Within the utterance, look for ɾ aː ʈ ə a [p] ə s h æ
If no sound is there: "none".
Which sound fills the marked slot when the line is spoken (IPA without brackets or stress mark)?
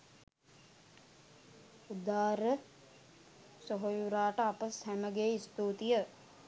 p